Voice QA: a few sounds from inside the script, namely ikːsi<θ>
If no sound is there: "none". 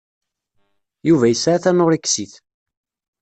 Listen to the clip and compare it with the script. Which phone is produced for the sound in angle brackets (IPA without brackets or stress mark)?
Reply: θ